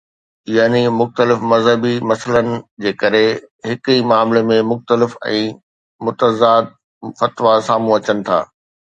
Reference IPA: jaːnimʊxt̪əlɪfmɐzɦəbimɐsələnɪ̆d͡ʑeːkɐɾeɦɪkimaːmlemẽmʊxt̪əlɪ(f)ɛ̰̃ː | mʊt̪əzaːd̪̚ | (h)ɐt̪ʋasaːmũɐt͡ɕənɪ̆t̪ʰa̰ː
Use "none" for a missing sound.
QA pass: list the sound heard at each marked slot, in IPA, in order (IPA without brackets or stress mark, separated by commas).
f, f